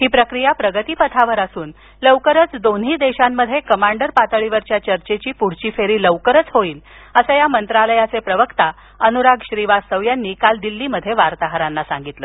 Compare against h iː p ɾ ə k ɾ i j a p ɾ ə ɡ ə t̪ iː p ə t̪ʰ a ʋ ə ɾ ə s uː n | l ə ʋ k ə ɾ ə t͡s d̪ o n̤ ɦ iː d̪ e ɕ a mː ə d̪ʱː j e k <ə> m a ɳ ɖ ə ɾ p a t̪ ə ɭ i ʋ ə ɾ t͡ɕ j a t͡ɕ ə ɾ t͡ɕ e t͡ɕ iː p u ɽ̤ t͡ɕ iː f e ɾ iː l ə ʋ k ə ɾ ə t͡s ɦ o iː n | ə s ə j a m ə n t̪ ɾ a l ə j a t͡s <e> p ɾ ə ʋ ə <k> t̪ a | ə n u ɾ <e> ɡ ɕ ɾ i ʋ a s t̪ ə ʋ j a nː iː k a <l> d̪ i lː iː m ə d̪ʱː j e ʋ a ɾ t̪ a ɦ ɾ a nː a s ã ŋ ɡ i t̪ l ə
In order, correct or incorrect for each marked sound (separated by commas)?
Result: correct, correct, correct, incorrect, correct